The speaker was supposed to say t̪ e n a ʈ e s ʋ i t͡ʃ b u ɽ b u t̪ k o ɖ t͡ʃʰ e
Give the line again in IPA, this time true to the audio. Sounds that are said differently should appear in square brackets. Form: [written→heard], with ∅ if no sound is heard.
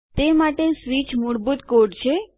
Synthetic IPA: t̪ e [n→m] a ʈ e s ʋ i t͡ʃ [b→m] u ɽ b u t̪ k o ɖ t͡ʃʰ e